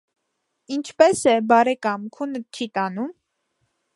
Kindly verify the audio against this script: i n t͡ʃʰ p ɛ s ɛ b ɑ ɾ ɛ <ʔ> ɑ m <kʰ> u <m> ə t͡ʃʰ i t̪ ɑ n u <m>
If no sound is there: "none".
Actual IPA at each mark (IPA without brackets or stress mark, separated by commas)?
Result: k, kʰ, n, m